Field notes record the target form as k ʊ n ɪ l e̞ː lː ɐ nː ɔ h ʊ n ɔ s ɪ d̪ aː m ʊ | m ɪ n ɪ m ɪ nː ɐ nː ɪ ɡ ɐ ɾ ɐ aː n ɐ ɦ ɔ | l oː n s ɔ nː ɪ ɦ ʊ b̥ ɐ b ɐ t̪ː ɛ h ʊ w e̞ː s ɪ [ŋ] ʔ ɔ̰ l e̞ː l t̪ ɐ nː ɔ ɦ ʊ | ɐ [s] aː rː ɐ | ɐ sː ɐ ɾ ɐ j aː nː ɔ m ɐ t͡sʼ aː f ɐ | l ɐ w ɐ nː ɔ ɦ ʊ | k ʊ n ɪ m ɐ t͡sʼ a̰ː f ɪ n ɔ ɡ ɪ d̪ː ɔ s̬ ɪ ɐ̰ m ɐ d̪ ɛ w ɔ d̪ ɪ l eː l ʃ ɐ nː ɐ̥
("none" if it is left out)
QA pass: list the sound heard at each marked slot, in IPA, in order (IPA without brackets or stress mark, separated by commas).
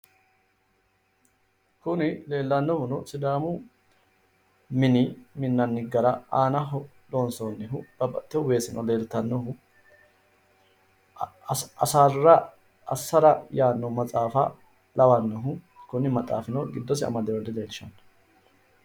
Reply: n, s